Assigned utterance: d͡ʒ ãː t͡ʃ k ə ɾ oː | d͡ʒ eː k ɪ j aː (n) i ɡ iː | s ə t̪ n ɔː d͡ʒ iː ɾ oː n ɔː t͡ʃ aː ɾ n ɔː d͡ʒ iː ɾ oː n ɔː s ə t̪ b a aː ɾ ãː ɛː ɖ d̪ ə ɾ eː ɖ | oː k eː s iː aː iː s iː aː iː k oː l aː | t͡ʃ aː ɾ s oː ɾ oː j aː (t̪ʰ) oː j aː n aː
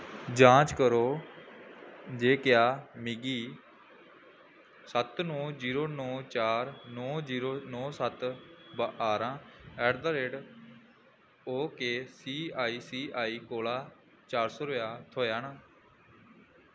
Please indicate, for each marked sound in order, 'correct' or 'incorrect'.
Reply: incorrect: m, correct

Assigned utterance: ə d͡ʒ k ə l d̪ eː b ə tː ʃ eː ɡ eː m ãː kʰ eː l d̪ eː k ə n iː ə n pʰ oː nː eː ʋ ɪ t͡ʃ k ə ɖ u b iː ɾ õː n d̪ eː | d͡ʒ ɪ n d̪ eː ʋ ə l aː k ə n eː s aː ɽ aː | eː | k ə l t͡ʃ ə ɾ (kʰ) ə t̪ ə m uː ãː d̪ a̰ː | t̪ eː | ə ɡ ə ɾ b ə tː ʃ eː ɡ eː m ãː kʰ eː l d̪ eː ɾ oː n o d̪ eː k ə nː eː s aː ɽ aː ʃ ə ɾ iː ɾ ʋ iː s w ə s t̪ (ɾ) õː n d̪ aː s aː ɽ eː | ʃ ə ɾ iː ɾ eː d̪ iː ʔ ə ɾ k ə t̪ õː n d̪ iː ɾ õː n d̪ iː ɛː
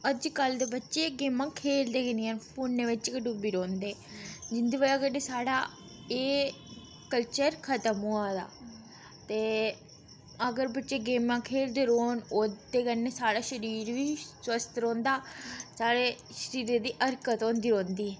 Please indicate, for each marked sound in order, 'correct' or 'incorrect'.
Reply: correct, correct

